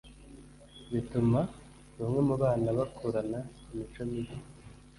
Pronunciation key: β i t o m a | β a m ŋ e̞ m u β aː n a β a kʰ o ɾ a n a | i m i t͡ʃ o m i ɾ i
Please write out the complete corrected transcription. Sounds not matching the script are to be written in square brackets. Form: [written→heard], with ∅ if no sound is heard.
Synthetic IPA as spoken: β i t [o→u] m a | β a m ŋ e̞ m u β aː n a β a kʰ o ɾ a n a | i m i t͡ʃ o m i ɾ i